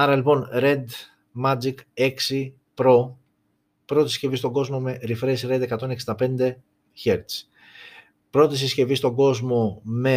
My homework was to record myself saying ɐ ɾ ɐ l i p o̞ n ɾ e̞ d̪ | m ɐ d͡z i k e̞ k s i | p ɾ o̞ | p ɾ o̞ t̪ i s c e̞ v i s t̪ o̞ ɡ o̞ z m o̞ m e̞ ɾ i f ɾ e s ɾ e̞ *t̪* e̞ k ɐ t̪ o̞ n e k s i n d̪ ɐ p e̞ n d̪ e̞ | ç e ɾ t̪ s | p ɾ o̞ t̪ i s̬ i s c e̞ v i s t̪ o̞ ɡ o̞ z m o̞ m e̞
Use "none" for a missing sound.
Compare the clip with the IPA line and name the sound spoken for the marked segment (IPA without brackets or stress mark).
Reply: d̪